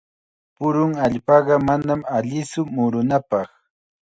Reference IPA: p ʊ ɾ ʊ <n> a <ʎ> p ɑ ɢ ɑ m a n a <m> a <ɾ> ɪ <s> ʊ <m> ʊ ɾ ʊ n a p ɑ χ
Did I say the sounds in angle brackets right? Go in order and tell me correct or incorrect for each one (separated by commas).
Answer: incorrect, correct, correct, incorrect, correct, correct